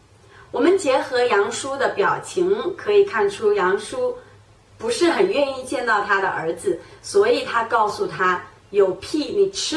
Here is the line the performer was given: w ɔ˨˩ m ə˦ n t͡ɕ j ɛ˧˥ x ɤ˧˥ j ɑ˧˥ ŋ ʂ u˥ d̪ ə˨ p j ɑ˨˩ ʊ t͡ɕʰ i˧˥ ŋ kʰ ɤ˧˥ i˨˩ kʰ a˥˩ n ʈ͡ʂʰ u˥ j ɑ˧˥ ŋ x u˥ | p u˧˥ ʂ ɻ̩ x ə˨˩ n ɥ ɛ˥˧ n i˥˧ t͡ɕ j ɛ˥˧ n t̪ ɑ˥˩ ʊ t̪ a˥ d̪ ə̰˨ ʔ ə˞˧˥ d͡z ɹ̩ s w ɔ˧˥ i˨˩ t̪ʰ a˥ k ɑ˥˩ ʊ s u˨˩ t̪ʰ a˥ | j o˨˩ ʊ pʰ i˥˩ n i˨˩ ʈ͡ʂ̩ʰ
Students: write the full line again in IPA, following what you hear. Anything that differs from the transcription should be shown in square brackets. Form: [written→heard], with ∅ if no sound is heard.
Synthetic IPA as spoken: w ɔ˨˩ m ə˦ n t͡ɕ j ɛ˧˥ x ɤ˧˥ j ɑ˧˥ ŋ ʂ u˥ d̪ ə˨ p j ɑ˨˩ ʊ t͡ɕʰ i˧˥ ŋ kʰ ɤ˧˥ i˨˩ kʰ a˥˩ n ʈ͡ʂʰ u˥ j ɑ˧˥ ŋ [x→ʂ] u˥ | p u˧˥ ʂ ɻ̩ x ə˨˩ n ɥ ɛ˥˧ n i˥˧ t͡ɕ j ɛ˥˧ n t̪ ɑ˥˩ ʊ [t̪→t̪ʰ] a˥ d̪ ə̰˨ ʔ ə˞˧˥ d͡z ɹ̩ s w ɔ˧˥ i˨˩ t̪ʰ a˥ k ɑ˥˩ ʊ s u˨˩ t̪ʰ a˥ | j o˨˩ ʊ pʰ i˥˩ n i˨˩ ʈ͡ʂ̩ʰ